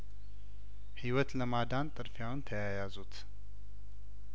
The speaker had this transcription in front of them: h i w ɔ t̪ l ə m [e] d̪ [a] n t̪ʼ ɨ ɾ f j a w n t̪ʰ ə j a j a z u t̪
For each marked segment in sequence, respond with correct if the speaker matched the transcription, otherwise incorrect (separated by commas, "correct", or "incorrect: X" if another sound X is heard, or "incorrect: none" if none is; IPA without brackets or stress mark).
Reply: incorrect: a, correct